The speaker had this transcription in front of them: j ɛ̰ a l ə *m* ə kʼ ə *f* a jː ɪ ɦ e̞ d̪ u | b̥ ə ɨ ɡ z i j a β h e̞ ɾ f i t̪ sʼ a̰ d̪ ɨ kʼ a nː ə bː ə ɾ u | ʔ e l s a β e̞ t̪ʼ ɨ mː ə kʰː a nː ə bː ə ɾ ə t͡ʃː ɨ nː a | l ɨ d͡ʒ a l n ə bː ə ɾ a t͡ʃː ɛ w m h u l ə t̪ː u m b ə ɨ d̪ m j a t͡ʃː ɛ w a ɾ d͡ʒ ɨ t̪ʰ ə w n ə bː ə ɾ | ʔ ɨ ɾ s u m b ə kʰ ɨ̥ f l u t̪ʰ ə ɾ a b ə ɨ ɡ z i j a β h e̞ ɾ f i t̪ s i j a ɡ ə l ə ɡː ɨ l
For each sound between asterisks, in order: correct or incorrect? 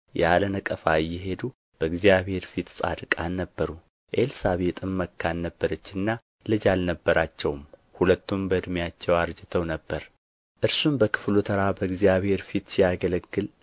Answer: incorrect: n, correct

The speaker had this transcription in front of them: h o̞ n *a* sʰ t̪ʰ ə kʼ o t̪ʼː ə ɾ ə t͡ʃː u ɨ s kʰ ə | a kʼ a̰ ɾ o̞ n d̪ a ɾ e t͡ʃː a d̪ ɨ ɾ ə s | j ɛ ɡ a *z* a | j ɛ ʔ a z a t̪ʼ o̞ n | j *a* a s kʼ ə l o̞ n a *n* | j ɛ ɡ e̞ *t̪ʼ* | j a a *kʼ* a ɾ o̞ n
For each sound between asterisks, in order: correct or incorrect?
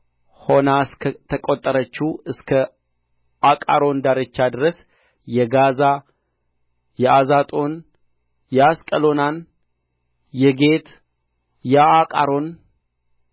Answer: correct, correct, incorrect: ɛ, correct, incorrect: t̪, correct

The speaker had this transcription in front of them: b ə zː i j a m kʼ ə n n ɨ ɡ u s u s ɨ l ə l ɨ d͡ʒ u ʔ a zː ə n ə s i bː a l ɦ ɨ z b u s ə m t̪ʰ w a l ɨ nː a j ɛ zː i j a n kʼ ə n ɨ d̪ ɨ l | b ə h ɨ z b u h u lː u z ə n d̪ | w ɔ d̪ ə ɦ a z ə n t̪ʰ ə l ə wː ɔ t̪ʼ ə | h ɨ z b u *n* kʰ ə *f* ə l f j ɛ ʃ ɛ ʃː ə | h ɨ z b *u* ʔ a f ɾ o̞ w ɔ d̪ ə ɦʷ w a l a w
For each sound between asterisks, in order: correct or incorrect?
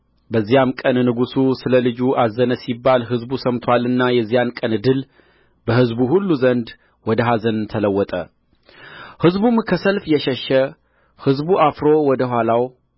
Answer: incorrect: m, incorrect: s, correct

